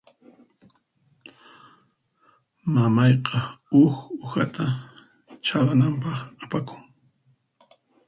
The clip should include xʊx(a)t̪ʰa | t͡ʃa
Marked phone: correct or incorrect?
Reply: correct